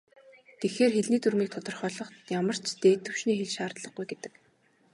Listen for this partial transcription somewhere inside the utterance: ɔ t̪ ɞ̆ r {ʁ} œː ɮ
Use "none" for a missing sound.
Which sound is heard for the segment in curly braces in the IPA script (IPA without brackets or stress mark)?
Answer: χ